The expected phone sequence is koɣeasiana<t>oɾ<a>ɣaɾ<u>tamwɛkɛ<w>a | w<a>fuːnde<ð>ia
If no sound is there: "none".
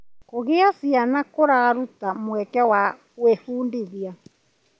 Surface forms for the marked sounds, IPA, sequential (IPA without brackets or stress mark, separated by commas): k, a, u, w, e, ð